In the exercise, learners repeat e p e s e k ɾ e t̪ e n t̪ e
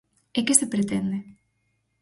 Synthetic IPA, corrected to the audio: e k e s e p ɾ e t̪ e n d̪ e